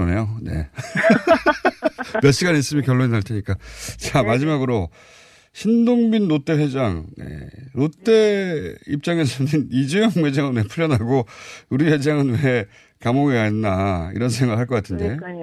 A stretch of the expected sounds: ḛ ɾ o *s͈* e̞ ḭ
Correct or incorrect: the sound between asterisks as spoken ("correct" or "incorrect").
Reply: incorrect